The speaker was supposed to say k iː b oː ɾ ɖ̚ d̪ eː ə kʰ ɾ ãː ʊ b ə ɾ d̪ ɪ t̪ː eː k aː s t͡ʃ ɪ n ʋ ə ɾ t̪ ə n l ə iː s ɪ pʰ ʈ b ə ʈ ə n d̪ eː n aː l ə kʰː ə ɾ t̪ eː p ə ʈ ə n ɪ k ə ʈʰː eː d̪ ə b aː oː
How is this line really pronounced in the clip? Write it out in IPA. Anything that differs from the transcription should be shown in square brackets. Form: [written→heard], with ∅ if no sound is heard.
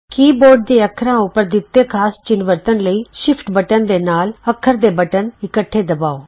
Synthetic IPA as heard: k iː b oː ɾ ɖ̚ d̪ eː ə kʰ ɾ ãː ʊ [b→p] ə ɾ d̪ ɪ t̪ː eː [k→kʰ] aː s t͡ʃ ɪ n ʋ ə ɾ t̪ ə n l ə iː [s→ʃ] ɪ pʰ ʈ b ə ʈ ə n d̪ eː n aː l ə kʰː ə ɾ [t̪→d̪] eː [p→b] ə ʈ ə n ɪ k ə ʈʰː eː d̪ ə b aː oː